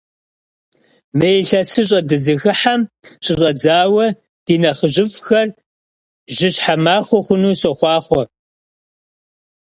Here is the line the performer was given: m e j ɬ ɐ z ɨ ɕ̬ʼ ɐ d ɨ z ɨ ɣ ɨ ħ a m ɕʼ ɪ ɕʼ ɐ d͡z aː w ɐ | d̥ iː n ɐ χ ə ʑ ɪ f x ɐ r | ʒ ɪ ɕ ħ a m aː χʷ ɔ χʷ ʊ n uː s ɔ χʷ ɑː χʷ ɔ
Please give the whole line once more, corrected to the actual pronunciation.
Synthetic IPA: m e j ɬ ɐ s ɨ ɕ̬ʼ ɐ d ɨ z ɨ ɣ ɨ ħ a m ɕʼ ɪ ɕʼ ɐ d͡z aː w ɐ | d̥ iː n ɐ χ ə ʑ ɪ f x ɐ r | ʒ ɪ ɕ ħ a m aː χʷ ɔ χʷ ʊ n uː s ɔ χʷ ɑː χʷ ɔ